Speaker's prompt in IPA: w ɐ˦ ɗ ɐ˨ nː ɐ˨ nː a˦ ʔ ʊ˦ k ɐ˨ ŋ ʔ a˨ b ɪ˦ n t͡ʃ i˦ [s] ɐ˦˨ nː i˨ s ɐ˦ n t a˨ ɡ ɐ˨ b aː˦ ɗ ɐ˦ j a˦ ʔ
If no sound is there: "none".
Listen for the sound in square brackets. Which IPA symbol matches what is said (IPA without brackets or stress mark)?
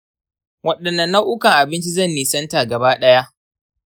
z